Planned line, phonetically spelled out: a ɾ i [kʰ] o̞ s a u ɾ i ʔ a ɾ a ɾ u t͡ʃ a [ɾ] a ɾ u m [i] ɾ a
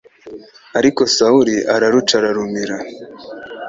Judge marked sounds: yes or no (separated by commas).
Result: no, yes, yes